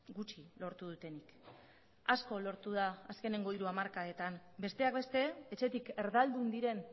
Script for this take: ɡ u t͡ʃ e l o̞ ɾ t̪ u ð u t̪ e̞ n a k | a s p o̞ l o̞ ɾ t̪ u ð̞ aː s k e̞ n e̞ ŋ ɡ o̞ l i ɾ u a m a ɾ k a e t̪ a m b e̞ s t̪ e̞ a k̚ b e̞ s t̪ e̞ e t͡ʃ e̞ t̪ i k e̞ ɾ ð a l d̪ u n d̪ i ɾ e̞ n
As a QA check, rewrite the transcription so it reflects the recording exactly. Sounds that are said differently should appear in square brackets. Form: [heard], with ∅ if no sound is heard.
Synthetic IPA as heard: ɡ u t͡ʃ [i] l o̞ ɾ t̪ u ð u t̪ e̞ n [i] k | a s [k] o̞ l o̞ ɾ t̪ u ð̞ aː s k e̞ n e̞ ŋ ɡ o̞ [∅] i ɾ u a m a ɾ k a e t̪ a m b e̞ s t̪ e̞ a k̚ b e̞ s t̪ e̞ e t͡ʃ e̞ t̪ i k e̞ ɾ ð a l d̪ u n d̪ i ɾ e̞ n